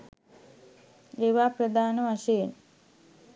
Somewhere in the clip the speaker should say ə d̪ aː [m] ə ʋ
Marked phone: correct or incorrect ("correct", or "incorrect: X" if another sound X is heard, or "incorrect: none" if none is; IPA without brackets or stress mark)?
incorrect: n